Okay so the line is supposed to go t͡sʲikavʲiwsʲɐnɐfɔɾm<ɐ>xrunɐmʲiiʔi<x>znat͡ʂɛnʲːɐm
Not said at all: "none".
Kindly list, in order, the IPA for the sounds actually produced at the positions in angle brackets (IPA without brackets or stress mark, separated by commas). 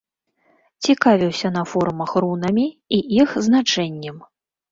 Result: ɐ, x